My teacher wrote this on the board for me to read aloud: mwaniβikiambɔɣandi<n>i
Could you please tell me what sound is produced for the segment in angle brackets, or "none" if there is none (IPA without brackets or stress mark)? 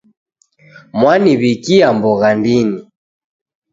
n